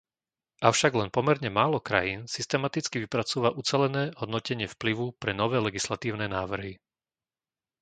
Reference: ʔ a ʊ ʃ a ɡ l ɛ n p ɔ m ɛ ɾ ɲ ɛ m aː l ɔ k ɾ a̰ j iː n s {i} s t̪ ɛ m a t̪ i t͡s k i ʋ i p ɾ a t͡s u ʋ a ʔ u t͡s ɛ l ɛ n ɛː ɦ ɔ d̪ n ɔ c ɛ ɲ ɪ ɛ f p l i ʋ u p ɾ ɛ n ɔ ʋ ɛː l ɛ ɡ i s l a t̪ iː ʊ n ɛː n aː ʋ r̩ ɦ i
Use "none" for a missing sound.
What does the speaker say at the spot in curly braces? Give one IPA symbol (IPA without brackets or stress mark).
i